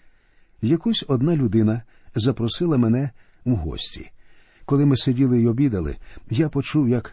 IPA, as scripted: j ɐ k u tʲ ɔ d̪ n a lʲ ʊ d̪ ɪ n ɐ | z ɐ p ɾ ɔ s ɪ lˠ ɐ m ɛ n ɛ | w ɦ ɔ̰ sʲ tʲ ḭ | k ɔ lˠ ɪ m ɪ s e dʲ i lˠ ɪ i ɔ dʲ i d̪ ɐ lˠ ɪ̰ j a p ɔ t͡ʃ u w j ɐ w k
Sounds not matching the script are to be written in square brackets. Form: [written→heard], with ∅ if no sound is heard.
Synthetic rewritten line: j ɐ k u [tʲ→sʲ] ɔ d̪ n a lʲ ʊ d̪ ɪ n ɐ | z ɐ p ɾ ɔ s ɪ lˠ ɐ m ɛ n ɛ | w ɦ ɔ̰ sʲ tʲ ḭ | k ɔ lˠ ɪ m ɪ s e dʲ i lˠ ɪ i ɔ [dʲ→bʲ] i d̪ ɐ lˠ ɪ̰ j a p ɔ t͡ʃ u w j ɐ [w→∅] k